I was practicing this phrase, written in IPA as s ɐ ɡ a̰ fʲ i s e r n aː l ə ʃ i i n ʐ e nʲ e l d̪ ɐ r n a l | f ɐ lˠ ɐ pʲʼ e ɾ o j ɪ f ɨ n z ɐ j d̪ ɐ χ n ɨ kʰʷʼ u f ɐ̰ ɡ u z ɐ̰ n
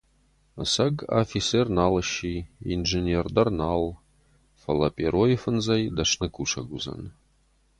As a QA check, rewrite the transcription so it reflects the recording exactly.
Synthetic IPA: s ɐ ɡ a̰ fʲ i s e r n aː l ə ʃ i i n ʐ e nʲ e r d̪ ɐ r n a l | f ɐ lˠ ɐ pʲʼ e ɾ o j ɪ f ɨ n z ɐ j d̪ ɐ ʂ n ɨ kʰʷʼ u ʂ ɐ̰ ɡ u z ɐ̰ n

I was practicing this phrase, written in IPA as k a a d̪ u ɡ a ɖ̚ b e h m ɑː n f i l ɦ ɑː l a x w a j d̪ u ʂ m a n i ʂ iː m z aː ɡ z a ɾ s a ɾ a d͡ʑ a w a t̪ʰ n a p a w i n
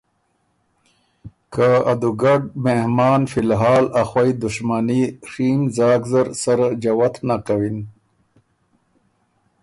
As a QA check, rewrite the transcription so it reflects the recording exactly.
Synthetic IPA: k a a d̪ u ɡ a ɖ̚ m e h m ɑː n f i l ɦ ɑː l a x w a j d̪ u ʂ m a n i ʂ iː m z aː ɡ z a ɾ s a ɾ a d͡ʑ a w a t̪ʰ n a k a w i n

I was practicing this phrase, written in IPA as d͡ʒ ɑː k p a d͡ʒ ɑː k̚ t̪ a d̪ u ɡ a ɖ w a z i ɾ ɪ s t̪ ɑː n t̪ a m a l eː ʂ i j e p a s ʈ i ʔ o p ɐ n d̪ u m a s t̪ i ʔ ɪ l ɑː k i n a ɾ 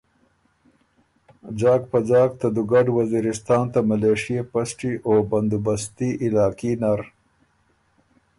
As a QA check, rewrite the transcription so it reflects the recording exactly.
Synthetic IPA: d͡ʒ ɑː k p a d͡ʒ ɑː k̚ t̪ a d̪ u ɡ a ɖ w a z i ɾ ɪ s t̪ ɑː n t̪ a m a l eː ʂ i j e p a s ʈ i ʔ o b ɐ n d̪ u b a s t̪ i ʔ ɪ l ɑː k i n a ɾ

